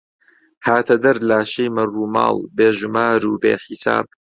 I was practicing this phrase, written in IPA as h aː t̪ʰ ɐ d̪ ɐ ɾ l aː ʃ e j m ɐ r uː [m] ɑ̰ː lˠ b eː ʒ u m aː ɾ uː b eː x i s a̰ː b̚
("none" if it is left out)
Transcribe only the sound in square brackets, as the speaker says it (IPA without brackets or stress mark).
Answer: m